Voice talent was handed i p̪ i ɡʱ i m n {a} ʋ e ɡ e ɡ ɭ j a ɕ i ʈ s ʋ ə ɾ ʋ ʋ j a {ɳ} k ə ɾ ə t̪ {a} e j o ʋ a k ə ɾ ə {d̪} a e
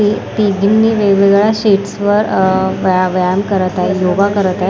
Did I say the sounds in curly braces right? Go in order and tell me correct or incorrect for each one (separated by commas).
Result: incorrect, incorrect, correct, incorrect